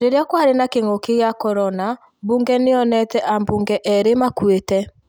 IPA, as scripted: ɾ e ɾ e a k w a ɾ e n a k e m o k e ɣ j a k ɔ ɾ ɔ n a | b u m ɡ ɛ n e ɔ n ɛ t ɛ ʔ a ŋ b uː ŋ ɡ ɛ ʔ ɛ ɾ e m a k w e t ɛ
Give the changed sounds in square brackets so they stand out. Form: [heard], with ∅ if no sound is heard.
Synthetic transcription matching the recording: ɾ e ɾ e a k w a ɾ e n a k e [ŋ] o k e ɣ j a k ɔ ɾ ɔ n a | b u [ŋ] ɡ ɛ n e ɔ n ɛ t ɛ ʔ a [m] b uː ŋ ɡ ɛ ʔ ɛ ɾ e m a k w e t ɛ